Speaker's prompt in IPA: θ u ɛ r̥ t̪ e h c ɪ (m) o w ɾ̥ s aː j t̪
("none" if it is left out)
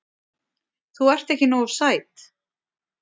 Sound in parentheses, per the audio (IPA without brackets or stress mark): n